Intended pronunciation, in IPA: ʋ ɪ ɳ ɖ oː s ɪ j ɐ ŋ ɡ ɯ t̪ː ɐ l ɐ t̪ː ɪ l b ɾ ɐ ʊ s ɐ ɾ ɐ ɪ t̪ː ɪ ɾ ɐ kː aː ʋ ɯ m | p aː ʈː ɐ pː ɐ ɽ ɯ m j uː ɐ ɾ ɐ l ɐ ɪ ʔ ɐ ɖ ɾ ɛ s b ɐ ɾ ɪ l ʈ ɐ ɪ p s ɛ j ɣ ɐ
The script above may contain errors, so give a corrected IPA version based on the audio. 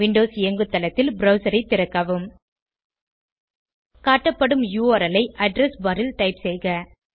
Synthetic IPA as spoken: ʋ ɪ ɳ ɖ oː s ɪ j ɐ ŋ ɡ ɯ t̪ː ɐ l ɐ t̪ː ɪ l b ɾ ɐ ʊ s ɐ ɾ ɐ ɪ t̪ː ɪ ɾ ɐ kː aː ʋ ɯ m | k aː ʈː ɐ pː ɐ ɽ ɯ m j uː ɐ ɾ ɐ l ɐ ɪ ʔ ɐ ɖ ɾ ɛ s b ɐ ɾ ɪ l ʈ ɐ ɪ p s ɛ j ɣ ɐ